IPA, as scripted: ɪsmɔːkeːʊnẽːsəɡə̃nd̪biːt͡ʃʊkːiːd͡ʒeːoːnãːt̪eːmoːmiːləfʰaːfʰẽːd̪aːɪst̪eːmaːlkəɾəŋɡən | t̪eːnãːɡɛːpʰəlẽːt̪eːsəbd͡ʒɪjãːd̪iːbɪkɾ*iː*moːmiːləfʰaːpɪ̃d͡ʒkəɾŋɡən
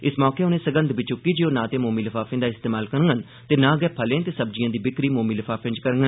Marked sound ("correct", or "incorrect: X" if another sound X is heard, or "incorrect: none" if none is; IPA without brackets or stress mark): correct